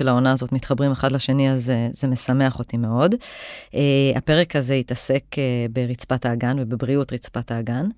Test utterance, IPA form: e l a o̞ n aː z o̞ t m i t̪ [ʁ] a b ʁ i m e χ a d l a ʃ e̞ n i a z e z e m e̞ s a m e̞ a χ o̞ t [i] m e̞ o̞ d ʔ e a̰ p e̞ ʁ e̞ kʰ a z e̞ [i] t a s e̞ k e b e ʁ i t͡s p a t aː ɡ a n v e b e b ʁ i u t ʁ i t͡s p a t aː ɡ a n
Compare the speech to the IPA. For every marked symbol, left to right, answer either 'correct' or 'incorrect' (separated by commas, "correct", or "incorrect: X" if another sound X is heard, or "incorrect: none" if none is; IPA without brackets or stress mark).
incorrect: χ, correct, correct